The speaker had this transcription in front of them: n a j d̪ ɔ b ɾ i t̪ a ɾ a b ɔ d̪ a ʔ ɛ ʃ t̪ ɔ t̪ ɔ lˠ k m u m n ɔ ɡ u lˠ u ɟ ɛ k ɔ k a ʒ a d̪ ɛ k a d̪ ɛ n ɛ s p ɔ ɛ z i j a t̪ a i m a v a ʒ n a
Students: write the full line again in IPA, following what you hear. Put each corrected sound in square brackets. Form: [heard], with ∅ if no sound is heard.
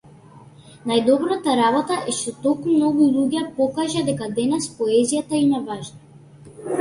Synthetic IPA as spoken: n a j d̪ ɔ b ɾ [a] t̪ a ɾ a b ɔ [t̪] a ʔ ɛ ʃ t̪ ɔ t̪ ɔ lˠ k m u m n ɔ ɡ u lˠ u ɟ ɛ [p] ɔ k a ʒ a d̪ ɛ k a d̪ ɛ n ɛ s p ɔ ɛ z i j a t̪ a i m a v a ʒ n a